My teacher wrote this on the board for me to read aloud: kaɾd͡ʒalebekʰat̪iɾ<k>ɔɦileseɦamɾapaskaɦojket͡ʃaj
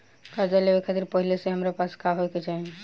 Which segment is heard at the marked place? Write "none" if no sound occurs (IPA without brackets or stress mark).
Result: p